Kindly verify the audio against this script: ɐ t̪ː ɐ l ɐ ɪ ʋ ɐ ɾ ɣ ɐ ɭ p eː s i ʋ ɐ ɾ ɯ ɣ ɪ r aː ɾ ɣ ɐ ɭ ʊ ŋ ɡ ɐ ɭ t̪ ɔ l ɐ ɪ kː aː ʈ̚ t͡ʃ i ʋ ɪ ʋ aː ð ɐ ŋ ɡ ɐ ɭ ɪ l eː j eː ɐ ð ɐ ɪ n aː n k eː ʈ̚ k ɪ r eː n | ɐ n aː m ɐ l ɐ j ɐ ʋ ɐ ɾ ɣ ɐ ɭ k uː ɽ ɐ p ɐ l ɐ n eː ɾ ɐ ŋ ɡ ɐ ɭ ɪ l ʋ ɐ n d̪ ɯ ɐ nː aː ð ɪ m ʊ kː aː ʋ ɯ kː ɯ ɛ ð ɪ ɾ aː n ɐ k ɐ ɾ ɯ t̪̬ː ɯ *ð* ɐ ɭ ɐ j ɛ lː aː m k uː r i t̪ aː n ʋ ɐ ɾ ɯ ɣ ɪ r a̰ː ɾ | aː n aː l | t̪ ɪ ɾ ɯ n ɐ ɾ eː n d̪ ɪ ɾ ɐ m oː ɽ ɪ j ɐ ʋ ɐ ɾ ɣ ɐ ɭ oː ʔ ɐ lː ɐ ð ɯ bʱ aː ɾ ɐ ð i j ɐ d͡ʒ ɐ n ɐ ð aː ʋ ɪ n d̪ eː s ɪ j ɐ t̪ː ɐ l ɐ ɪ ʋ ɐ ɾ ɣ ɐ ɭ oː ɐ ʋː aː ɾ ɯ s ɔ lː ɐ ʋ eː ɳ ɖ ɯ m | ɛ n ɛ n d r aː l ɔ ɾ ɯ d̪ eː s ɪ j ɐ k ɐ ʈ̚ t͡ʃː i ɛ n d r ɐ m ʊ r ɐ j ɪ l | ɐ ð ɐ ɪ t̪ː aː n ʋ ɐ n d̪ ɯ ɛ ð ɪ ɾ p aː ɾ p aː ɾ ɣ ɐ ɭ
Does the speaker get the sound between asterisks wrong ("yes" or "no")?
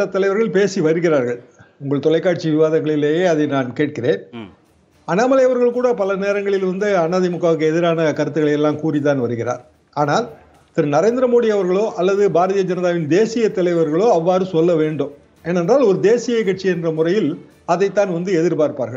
yes